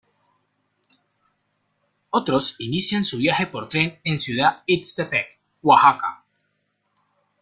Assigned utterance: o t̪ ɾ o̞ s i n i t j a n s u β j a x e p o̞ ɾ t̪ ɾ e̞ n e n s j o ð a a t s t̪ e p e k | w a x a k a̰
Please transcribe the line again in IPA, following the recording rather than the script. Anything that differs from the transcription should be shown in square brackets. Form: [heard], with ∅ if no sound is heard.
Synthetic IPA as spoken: o t̪ ɾ o̞ s i n i [s] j a n s u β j a x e p o̞ ɾ t̪ ɾ e̞ n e n s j [u] ð a [i] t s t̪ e p e k | w a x a k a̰